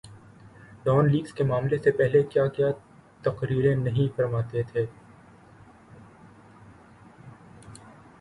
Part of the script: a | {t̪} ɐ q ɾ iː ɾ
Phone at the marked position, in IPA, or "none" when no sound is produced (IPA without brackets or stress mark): t̪